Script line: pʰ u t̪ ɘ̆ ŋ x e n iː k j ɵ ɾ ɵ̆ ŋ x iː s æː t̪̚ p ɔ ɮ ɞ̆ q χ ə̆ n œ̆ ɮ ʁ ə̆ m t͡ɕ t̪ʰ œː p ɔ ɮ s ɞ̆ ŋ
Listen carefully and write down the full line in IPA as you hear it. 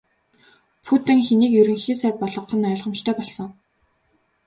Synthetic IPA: pʰ u t̪ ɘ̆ ŋ x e n iː k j ɵ ɾ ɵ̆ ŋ x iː s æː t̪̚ p ɔ ɮ ɞ̆ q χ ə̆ n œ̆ ɮ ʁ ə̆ m t͡ɕ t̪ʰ œː p ɔ ɮ s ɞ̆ ŋ

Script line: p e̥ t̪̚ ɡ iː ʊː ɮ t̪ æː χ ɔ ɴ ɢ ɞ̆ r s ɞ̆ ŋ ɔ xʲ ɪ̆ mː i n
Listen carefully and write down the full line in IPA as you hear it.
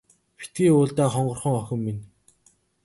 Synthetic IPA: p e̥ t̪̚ ɡ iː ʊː ɮ t̪ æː χ ɔ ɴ ɢ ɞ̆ r χ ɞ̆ ŋ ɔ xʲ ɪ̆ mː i n

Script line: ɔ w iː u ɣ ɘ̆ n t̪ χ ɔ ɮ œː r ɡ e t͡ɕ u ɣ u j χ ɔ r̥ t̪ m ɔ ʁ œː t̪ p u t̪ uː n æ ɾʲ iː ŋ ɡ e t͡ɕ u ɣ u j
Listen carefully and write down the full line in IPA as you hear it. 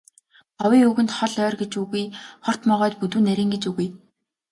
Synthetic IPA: ɔ w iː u ɣ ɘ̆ n t̪ χ ɔ ɮ œː r ɡ e t͡ɕ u ɣ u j χ ɔ r̥ t̪ m ɔ ʁ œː t̪ p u t̪ uː n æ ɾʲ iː ŋ ɡ e t͡ɕ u ɣ u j

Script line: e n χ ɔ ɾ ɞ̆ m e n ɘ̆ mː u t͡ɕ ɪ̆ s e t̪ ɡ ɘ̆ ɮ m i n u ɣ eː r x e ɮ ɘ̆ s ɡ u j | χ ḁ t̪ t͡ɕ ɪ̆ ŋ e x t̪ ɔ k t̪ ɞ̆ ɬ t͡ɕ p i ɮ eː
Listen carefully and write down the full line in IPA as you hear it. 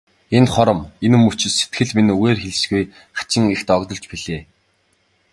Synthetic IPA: e n χ ɔ ɾ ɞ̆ m e n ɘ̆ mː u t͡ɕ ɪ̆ s e t̪ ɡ ɘ̆ ɮ m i n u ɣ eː r x e ɮ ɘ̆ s ɡ u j | χ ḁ t͡ɕ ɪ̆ ŋ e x t̪ ɔ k t̪ ɞ̆ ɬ t͡ɕ p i ɮ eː

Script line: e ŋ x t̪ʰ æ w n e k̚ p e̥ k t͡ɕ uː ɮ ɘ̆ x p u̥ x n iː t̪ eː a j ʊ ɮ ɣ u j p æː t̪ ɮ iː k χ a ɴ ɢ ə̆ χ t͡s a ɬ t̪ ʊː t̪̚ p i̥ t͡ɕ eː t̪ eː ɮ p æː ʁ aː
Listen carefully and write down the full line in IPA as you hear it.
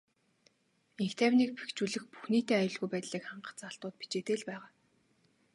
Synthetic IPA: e ŋ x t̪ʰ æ w n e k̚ p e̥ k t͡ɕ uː ɮ ɘ̆ x p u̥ x n iː t̪ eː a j ʊ ɮ ɣ u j p æː t̪ ɮ iː k χ a ɴ ɢ ə̆ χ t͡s a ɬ t̪ ʊː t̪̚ p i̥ t͡ɕ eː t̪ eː ɮ p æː ʁ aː

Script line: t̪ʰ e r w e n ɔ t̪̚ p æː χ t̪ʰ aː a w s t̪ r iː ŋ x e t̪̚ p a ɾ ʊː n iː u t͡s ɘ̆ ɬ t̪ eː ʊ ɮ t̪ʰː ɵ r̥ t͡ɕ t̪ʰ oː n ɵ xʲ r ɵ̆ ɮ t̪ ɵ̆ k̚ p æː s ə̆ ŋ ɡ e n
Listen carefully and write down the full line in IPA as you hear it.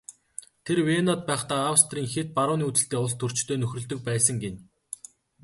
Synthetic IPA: t̪ʰ e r w e n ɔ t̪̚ p æː χ t̪ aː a w s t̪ r iː ŋ x e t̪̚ p a ɾ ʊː n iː u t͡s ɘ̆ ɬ t̪ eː ʊ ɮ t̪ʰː ɵ r̥ t͡ɕ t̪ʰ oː n ɵ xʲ r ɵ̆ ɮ t̪ ɵ̆ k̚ p æː s ə̆ ŋ ɡ e n

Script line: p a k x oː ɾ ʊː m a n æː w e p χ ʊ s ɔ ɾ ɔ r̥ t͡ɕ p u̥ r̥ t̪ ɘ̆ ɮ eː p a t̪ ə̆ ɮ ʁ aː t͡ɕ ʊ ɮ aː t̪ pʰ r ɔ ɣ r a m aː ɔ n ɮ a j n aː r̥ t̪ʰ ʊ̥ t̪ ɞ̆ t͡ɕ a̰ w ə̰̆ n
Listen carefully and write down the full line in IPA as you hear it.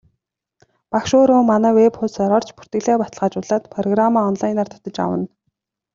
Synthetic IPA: p a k ʃ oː ɾ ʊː m a n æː w e p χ ʊ s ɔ ɾ ɔ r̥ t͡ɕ p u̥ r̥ t̪ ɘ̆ ɮ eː p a t̪ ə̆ ɮ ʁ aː t͡ɕ ʊ ɮ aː t̪ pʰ r ɔ ɣ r a m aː ɔ n ɮ a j n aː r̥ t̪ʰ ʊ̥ t̪ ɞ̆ t͡ɕ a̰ w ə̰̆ n

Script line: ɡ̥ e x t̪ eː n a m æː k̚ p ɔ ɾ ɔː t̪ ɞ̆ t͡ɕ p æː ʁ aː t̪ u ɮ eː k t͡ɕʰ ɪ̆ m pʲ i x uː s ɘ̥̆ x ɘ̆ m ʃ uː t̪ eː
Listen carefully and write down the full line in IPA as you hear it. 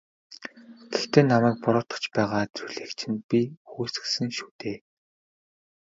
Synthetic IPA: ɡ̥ e x t̪ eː n a m æː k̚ p ɔ ɾ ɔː t̪ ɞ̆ t͡ɕ p æː ʁ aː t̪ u ɮ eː k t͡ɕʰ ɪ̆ n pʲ i x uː s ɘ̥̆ s ɘ̆ ŋ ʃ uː t̪ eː

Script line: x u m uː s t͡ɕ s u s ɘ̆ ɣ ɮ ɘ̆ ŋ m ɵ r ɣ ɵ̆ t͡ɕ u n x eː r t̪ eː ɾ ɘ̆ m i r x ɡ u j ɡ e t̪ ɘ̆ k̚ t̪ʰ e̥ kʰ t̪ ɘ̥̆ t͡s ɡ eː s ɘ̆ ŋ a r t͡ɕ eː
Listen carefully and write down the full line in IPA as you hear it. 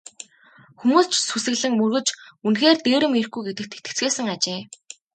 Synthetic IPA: x u m uː s t͡ɕ s u s ɘ̆ ɣ ɮ ɘ̆ ŋ m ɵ r ɣ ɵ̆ t͡ɕ u n x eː r t̪ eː ɾ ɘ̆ m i r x ɡ u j ɡ e t̪ ɘ̆ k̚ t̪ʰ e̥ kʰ t̪ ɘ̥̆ t͡s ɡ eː s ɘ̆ ŋ a t͡ɕ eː

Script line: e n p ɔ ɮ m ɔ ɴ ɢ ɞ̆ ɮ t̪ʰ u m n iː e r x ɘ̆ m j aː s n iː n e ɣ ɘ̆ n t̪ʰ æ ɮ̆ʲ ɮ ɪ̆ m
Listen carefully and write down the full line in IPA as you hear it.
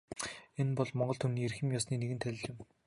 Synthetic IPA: e n p ɔ ɮ m ɔ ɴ ɢ ɞ̆ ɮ t̪ʰ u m n iː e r x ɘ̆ m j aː s n iː n e ɣ ɘ̆ n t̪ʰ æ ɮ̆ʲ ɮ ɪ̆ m

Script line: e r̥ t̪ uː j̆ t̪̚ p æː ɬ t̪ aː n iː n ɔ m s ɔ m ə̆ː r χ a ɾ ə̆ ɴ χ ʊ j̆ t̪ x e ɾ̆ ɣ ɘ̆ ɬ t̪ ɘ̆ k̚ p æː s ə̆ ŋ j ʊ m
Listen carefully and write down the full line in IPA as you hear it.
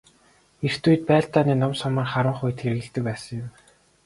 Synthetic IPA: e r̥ t̪ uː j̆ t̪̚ p æː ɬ t̪ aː n iː n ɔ m s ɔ m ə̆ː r χ a ɾ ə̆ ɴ χ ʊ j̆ t̪ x e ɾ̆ ɣ ɘ̆ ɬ t̪ ɘ̆ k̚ p æː s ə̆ ŋ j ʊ m

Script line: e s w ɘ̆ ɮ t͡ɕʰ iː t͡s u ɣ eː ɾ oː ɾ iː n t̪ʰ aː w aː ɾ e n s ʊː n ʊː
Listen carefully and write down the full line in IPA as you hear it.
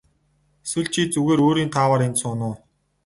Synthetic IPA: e s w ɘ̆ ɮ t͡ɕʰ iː t͡s u ɣ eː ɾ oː ɾ iː n t̪ʰ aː w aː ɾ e n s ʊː n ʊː

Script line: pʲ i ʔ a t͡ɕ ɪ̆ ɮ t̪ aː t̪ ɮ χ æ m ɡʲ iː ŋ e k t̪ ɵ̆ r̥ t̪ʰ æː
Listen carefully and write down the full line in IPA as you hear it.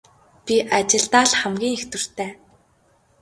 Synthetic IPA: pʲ i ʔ a t͡ɕ ɪ̆ ɮ t̪ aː ɮ χ æ m ɡʲ iː ŋ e x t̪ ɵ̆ r̥ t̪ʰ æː

